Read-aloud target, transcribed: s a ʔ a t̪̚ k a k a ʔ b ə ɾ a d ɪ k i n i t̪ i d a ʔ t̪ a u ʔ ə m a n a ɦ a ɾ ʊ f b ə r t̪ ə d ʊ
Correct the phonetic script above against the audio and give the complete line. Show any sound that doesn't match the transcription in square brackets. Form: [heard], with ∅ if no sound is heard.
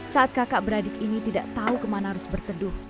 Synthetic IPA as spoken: s a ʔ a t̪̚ k a k a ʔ b ə ɾ a d ɪ k i n i t̪ i d a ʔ t̪ a u [k] ə m a n a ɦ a ɾ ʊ [s] b ə r t̪ ə d ʊ